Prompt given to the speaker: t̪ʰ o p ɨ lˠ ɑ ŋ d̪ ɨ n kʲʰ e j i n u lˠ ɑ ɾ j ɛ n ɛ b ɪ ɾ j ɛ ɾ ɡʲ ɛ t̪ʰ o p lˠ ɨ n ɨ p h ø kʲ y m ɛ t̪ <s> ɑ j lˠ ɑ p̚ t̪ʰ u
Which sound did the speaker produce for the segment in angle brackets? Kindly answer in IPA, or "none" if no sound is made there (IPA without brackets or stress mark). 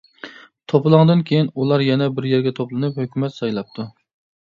s